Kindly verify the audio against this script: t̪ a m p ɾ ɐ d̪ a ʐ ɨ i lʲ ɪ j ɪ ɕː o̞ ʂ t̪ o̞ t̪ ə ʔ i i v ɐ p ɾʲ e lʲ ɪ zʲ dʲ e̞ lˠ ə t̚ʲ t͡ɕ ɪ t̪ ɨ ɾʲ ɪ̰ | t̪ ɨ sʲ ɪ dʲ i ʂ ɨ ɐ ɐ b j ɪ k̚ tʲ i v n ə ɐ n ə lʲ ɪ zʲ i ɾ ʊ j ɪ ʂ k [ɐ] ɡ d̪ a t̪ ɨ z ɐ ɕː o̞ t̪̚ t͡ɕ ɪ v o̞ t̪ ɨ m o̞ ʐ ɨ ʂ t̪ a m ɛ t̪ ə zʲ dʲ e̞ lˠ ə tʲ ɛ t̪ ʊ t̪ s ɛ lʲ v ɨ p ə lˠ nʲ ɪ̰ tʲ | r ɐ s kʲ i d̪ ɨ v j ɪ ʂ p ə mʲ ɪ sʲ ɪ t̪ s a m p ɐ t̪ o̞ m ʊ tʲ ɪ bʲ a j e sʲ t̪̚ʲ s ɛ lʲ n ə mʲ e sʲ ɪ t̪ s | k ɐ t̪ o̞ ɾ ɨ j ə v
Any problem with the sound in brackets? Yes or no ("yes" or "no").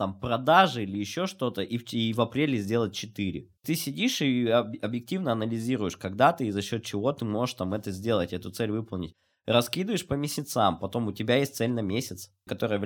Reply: no